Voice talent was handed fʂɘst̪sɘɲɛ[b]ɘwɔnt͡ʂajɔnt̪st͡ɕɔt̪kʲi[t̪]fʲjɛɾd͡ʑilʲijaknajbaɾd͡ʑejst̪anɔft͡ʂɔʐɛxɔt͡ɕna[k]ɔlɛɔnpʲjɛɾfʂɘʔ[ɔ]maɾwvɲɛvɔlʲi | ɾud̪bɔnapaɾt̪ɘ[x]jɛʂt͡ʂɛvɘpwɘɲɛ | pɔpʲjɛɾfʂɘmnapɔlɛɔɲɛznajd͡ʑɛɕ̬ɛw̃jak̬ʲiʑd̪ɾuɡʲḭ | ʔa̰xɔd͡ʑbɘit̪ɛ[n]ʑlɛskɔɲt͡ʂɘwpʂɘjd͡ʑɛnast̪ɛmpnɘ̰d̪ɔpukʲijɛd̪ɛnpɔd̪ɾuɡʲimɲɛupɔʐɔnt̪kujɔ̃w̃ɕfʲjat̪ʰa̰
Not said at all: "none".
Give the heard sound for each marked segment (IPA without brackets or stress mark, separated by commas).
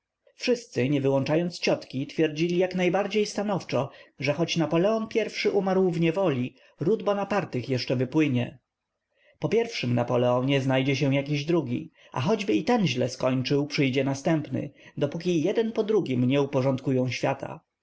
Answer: v, t̪, p, u, x, n